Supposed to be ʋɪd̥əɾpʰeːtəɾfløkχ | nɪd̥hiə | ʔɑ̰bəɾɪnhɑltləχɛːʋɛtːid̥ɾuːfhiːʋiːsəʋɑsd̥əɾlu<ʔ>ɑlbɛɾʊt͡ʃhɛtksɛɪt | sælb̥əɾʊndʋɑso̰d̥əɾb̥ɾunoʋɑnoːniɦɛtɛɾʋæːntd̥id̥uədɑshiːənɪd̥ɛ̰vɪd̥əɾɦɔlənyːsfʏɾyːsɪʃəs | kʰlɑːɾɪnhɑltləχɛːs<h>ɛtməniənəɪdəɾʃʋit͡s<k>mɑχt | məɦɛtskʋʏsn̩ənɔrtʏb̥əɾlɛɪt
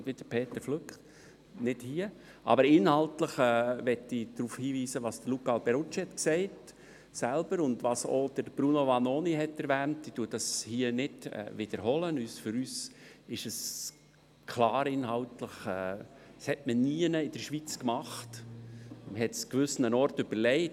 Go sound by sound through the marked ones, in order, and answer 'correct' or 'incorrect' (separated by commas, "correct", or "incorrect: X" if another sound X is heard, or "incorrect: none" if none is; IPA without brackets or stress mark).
incorrect: k, correct, correct